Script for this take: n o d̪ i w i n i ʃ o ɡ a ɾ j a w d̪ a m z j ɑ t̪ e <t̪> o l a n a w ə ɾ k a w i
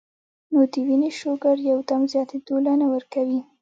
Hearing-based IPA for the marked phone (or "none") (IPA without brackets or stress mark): d̪